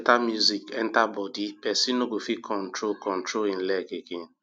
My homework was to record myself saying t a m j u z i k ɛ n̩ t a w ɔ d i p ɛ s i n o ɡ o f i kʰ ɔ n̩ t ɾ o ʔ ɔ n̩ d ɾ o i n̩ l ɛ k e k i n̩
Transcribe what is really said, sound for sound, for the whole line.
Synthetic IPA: t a m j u z i k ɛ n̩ t a b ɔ d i p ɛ s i n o ɡ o f i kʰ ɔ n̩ t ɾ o k ɔ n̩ t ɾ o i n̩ l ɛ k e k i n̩